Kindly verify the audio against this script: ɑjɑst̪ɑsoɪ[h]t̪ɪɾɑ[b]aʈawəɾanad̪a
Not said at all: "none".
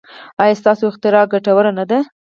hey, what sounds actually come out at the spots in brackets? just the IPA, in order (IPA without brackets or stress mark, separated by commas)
x, ɡ